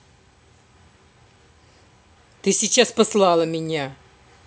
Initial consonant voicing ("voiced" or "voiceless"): voiceless